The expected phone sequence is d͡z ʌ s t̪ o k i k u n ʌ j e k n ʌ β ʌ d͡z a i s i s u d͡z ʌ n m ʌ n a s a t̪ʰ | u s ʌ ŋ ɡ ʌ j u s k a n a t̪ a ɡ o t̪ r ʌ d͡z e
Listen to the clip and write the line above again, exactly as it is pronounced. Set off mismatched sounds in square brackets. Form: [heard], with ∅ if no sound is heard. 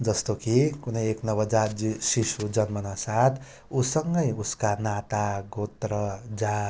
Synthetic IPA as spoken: d͡z ʌ s t̪ o k i k u n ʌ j e k n ʌ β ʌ d͡z a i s i s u d͡z ʌ n m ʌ n a s a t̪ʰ | u s ʌ ŋ ɡ ʌ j u s k a n a t̪ a ɡ o t̪ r ʌ d͡z [a]